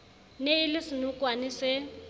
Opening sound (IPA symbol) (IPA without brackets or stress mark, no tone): n